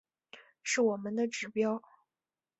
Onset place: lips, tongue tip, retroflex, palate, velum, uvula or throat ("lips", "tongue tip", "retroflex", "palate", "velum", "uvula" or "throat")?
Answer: retroflex